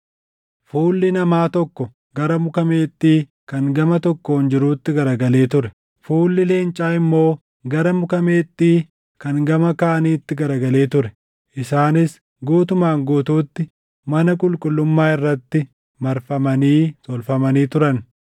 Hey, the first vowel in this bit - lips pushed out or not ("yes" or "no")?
yes